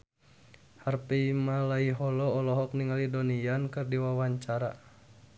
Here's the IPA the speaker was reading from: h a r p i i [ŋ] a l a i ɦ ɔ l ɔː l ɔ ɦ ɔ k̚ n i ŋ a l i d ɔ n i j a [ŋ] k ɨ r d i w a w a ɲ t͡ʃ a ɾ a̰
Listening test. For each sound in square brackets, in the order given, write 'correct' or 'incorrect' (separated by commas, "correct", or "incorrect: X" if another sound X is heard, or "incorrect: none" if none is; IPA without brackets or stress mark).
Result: incorrect: m, incorrect: n